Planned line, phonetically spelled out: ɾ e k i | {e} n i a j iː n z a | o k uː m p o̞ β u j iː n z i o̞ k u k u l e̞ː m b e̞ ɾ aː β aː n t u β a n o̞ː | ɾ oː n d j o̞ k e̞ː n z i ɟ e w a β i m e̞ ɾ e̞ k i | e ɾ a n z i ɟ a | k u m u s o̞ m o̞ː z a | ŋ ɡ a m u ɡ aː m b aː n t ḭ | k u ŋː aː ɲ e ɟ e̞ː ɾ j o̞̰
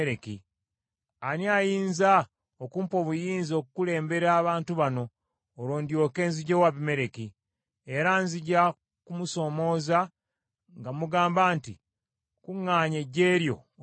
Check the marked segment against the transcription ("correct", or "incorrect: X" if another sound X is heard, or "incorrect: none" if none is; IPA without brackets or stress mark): incorrect: a